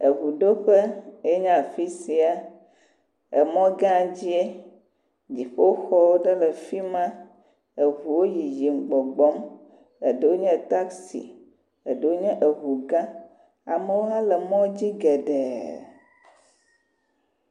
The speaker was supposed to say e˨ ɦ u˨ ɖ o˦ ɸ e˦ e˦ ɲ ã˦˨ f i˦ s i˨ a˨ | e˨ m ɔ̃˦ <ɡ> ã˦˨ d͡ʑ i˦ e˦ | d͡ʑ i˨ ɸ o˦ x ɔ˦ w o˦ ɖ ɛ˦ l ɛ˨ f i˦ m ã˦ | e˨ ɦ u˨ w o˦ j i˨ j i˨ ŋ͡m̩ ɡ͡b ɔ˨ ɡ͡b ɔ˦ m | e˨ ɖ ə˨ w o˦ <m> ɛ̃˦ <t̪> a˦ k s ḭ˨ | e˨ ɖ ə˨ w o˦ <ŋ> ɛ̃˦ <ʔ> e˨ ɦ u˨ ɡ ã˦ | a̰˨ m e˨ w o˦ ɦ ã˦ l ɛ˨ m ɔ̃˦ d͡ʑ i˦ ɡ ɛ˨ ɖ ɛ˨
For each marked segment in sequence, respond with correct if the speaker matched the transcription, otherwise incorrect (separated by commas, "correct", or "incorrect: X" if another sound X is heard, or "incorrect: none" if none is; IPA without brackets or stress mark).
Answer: correct, incorrect: ɲ, correct, incorrect: ɲ, correct